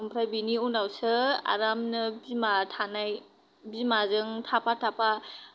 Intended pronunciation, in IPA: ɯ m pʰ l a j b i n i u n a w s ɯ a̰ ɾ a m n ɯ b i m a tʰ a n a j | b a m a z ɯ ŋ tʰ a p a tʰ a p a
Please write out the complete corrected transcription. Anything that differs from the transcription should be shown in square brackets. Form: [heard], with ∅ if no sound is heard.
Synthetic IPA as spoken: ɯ m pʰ [ɾ] a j b i n i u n a w s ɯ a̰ ɾ a m n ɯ b i m a tʰ a n a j | b [i] m a z ɯ ŋ tʰ a p a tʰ a p a